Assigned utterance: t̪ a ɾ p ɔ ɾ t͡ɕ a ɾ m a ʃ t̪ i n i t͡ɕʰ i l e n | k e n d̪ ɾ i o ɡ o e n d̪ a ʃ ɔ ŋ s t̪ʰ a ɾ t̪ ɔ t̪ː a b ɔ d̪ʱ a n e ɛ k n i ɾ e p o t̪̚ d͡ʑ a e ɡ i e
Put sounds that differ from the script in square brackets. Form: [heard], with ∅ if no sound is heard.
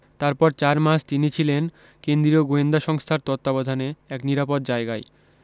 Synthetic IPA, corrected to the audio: t̪ a ɾ p ɔ ɾ t͡ɕ a ɾ m a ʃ t̪ i n i t͡ɕʰ i l e n | k e n d̪ ɾ i o ɡ o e n d̪ a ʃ ɔ ŋ s t̪ʰ a ɾ t̪ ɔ t̪ː a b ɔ d̪ʱ a n e ɛ k n i ɾ [a] p o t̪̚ d͡ʑ a e ɡ [a] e